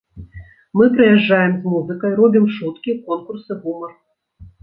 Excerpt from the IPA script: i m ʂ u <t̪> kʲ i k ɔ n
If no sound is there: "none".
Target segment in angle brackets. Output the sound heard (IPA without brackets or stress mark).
t̪